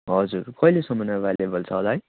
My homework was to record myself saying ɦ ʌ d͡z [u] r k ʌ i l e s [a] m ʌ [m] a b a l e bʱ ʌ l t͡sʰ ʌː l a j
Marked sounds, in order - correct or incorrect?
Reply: correct, incorrect: ʌ, incorrect: n

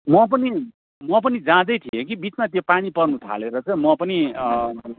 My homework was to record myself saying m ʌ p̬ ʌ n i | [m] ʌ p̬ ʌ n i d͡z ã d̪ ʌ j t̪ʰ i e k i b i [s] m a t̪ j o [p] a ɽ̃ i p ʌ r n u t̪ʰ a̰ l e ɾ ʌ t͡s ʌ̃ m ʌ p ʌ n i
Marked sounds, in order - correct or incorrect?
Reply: correct, incorrect: t͡s, correct

